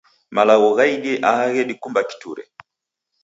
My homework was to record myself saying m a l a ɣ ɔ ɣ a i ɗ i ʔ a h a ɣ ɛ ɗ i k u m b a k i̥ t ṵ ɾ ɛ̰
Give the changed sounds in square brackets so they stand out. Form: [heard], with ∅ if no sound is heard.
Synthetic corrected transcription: m a l a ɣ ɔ ɣ a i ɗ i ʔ a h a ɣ ɛ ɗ i k u m b a k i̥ t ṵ ɾ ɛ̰